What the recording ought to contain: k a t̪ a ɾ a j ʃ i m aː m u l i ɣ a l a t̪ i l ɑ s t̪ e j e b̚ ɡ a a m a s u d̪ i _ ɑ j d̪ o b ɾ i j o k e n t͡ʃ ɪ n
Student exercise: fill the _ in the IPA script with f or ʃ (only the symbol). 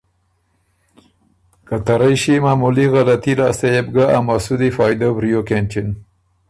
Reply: f